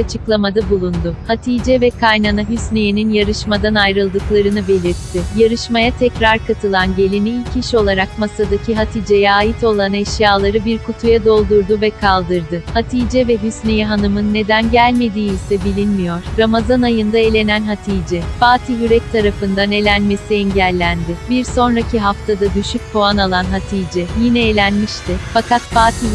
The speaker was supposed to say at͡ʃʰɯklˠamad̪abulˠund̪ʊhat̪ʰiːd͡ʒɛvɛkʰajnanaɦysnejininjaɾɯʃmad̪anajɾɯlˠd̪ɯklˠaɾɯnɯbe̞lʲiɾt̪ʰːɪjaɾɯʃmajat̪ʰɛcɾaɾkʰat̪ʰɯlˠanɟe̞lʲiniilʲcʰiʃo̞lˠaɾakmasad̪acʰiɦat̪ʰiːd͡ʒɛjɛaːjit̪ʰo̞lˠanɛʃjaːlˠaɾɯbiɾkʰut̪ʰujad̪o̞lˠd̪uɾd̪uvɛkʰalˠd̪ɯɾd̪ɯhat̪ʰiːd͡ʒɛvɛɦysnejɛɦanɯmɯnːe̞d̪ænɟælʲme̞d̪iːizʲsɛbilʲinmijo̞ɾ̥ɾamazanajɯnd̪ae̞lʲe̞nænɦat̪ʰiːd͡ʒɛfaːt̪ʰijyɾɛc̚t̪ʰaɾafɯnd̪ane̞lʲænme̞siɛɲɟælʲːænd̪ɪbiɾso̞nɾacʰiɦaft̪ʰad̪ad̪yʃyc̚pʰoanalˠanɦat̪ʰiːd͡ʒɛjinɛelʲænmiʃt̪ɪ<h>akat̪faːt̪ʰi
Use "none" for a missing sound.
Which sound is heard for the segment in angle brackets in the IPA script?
f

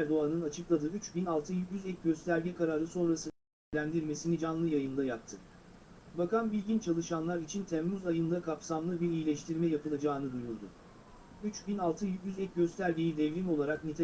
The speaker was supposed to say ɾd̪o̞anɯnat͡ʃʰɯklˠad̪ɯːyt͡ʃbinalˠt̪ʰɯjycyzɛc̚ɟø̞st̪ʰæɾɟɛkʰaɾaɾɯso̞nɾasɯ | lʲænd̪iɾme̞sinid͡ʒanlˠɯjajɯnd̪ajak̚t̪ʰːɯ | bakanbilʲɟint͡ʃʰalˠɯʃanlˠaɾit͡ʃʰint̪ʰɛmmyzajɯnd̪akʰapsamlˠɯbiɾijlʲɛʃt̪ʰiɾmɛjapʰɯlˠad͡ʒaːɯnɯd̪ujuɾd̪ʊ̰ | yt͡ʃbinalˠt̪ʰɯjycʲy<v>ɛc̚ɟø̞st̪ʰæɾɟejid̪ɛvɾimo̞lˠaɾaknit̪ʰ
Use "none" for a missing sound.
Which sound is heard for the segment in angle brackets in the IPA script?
z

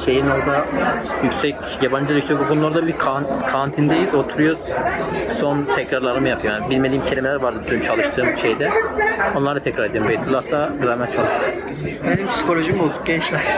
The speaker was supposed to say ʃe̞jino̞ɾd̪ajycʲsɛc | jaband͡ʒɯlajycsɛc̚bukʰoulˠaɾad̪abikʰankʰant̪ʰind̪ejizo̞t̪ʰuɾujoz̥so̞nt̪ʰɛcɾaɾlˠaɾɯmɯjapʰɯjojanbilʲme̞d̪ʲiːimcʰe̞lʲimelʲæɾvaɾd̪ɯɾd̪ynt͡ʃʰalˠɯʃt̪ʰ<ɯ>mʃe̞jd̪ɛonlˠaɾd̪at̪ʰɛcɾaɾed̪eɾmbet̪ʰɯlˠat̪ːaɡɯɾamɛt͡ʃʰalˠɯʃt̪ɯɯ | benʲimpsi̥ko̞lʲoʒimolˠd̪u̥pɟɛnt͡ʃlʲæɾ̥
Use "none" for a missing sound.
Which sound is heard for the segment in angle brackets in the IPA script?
ɯː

